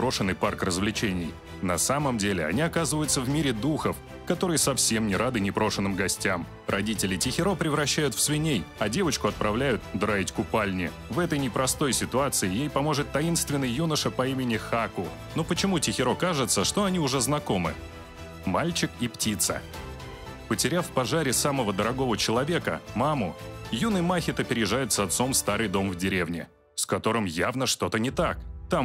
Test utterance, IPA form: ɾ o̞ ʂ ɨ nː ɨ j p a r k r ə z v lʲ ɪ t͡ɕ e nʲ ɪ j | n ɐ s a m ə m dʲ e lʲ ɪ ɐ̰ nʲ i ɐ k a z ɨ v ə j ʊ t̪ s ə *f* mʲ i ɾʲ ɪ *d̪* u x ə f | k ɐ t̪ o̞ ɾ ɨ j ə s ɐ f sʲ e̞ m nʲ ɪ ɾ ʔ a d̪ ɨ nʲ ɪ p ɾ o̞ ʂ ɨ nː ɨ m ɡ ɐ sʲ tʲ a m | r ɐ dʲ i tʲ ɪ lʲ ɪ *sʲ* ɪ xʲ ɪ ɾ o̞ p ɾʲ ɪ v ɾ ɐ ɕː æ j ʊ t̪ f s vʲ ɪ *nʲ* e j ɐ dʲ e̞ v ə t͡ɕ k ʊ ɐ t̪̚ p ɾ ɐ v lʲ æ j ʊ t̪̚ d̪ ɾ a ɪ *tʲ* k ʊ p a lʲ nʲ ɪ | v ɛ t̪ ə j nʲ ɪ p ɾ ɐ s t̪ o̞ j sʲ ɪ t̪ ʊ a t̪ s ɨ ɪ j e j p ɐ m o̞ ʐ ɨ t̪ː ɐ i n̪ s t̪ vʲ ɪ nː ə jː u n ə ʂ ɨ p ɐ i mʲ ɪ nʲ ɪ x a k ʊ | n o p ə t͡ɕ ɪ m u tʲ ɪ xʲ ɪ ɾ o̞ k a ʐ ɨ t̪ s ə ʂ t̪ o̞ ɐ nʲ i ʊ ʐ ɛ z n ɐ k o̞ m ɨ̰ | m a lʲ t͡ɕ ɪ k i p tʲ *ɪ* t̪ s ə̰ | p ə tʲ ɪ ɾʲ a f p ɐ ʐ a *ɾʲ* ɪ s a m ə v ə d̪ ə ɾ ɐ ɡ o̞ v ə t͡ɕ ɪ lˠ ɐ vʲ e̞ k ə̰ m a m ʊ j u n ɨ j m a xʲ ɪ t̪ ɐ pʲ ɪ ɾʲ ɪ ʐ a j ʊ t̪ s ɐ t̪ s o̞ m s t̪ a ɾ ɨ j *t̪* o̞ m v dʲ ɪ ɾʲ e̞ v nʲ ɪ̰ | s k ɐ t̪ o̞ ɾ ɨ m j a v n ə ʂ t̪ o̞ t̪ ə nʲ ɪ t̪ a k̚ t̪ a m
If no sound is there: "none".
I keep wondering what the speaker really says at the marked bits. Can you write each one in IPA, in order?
v, d̪, tʲ, nʲ, tʲ, i, ɾʲ, d̪

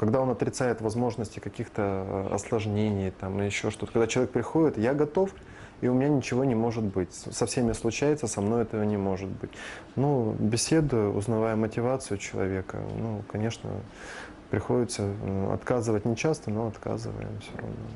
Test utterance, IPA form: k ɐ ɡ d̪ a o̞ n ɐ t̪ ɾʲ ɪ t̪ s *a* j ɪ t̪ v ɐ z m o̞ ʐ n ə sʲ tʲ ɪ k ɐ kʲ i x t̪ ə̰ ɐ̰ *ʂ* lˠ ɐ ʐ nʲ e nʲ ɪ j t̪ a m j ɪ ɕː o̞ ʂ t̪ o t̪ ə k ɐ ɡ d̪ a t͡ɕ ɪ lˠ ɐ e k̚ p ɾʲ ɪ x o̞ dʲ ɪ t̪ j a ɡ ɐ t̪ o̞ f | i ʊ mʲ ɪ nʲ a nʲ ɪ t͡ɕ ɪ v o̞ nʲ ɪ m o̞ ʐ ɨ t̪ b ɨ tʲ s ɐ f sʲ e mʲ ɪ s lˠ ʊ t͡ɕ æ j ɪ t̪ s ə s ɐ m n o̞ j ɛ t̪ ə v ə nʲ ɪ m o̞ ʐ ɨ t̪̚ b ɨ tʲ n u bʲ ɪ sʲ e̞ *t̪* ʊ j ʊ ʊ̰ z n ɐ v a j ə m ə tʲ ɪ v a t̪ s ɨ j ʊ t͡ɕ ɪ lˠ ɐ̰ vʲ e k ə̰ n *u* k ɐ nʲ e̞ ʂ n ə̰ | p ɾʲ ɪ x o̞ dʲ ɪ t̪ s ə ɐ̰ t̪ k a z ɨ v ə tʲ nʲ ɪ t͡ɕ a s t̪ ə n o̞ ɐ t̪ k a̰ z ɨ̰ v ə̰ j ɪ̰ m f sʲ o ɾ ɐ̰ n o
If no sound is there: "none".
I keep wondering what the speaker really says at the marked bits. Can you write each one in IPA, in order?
a, s, d̪, u

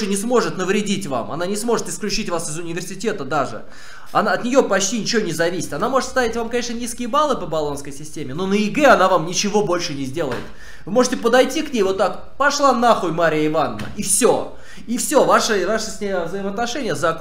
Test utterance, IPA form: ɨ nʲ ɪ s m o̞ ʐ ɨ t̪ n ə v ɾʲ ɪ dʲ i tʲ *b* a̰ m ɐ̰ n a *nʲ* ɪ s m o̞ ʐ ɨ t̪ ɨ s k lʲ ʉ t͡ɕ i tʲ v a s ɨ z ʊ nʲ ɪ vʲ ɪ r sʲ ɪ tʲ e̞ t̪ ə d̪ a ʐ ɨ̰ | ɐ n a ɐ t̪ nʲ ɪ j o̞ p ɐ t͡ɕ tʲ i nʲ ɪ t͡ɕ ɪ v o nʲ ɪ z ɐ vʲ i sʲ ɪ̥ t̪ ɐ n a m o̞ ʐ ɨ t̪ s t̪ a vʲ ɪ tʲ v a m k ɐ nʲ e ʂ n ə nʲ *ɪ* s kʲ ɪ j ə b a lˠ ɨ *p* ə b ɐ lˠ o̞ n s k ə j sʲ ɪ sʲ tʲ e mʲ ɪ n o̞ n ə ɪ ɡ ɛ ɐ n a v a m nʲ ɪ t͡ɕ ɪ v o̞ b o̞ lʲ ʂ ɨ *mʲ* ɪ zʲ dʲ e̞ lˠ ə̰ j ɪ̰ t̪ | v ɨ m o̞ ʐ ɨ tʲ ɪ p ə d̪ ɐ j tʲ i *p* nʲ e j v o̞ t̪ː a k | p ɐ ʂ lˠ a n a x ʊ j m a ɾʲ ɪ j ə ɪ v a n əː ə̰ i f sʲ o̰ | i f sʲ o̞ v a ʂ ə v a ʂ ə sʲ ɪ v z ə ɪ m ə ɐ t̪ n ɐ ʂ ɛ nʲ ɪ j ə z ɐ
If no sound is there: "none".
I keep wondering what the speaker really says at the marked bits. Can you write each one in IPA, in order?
v, nʲ, i, p, nʲ, k

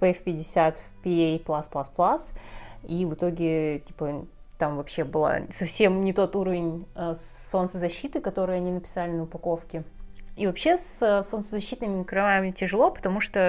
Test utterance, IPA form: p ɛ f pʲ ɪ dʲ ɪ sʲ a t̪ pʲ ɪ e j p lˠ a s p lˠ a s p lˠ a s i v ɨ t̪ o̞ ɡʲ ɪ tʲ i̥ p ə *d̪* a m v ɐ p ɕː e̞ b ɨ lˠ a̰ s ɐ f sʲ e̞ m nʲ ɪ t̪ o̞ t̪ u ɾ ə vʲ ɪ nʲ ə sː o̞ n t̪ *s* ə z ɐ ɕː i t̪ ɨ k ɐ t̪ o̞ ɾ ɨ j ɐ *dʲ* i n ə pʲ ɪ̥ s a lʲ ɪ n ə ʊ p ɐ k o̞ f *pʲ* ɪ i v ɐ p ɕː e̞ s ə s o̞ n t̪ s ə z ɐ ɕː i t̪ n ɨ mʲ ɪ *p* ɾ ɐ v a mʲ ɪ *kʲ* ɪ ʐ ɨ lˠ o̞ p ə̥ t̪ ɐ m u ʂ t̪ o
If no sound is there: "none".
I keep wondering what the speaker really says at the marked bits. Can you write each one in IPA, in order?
t̪, s, nʲ, kʲ, k, tʲ

